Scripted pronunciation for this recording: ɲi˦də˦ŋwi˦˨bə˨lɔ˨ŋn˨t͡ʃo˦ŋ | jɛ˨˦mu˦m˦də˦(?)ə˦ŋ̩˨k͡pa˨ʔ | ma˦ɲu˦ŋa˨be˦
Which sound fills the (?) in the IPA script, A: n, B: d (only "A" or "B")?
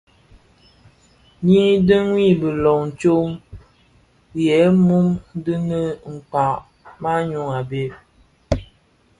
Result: A